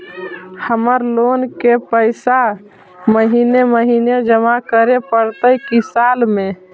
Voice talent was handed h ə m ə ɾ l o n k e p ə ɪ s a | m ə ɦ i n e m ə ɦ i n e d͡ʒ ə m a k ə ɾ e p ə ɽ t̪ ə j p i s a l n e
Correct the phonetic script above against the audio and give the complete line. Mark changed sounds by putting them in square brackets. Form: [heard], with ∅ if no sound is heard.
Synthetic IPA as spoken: h ə m ə ɾ l o n k e p ə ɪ s a | m ə ɦ i n e m ə ɦ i n e d͡ʒ ə m a k ə ɾ e p ə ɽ t̪ ə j [k] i s a l [m] e